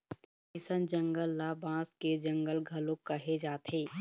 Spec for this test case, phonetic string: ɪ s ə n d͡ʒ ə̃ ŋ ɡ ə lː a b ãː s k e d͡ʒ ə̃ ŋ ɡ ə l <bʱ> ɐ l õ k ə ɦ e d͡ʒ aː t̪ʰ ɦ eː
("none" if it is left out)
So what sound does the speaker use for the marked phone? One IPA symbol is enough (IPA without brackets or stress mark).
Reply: ɡʱ